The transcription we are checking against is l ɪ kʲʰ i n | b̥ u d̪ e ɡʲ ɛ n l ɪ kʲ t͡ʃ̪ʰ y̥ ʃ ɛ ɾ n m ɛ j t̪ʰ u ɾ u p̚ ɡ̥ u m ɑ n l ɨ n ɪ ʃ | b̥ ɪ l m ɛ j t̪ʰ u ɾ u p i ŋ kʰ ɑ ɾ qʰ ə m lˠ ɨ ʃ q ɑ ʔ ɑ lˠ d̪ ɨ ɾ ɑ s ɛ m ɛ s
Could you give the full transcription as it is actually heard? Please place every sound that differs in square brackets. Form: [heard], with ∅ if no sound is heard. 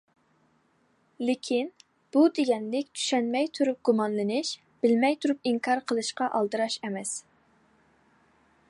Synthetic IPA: l ɪ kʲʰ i n | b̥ u d̪ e ɡʲ ɛ n l ɪ kʲ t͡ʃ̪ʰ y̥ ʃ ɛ [∅] n m ɛ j t̪ʰ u ɾ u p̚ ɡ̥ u m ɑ n l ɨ n ɪ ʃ | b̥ ɪ l m ɛ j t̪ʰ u ɾ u p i ŋ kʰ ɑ ɾ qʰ ə [∅] lˠ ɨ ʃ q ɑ ʔ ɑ lˠ d̪ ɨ ɾ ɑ [ʃ] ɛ m ɛ s